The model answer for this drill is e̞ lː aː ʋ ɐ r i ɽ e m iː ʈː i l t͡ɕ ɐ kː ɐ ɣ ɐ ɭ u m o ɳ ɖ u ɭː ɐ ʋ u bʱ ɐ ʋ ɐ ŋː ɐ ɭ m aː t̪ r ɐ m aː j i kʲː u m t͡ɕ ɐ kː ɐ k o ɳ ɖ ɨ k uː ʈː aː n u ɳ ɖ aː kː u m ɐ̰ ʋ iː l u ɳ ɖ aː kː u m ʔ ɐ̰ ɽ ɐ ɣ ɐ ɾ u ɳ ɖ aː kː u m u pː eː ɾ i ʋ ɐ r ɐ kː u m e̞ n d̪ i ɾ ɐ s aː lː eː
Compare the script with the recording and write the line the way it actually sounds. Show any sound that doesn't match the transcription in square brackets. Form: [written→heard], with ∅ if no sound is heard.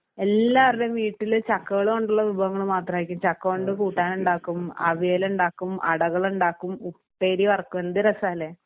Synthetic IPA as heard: e̞ lː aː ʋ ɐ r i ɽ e m iː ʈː i l t͡ɕ ɐ kː ɐ ɣ ɐ ɭ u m o ɳ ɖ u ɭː ɐ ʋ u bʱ ɐ ʋ ɐ ŋː ɐ ɭ m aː t̪ r ɐ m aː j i kʲː u m t͡ɕ ɐ kː ɐ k o ɳ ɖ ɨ k uː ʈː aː n u ɳ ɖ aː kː u m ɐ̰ ʋ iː l u ɳ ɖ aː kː u m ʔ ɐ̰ ɽ ɐ ɣ ɐ [ɾ→ɭ] u ɳ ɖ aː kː u m u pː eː ɾ i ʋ ɐ r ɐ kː u m e̞ n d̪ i ɾ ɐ s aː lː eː